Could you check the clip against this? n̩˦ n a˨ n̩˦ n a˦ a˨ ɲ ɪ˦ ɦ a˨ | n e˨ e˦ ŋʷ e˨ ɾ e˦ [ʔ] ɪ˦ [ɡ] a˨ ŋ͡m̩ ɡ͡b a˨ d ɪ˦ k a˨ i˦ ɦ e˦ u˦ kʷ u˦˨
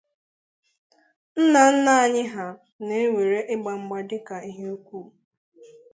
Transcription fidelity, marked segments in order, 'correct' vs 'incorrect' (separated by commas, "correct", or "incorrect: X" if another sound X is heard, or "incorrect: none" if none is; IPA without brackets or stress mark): correct, incorrect: ɡ͡b